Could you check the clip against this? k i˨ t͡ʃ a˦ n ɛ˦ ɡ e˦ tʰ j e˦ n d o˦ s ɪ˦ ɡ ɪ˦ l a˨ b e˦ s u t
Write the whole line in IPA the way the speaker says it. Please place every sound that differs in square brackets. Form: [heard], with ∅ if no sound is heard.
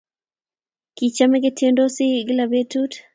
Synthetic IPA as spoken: k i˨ t͡ʃ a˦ [m] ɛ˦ ɡ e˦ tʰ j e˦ n d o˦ s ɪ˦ ɡ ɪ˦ l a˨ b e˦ [t] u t

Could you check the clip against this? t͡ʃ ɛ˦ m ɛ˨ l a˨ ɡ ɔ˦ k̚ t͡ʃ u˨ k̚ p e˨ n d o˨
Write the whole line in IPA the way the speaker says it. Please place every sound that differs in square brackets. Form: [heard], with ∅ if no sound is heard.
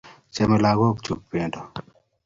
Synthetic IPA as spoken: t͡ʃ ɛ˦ m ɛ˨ l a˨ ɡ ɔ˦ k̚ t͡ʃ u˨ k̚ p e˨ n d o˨

